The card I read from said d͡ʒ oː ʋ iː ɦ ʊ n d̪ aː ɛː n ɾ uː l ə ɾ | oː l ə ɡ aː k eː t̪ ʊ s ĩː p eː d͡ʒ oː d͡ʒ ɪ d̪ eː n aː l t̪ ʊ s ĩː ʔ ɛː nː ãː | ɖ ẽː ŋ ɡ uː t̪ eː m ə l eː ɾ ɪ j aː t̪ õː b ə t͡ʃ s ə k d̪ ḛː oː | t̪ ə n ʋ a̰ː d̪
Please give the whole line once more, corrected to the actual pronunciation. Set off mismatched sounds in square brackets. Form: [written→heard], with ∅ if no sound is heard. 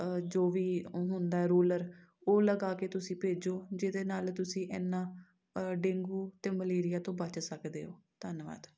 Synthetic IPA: d͡ʒ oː ʋ iː ɦ ʊ n d̪ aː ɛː [n→∅] ɾ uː l ə ɾ | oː l ə ɡ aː k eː t̪ ʊ s ĩː p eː d͡ʒ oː d͡ʒ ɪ d̪ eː n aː l t̪ ʊ s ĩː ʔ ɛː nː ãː | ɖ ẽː ŋ ɡ uː t̪ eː m ə l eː ɾ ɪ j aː t̪ õː b ə t͡ʃ s ə k d̪ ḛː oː | t̪ ə n ʋ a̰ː d̪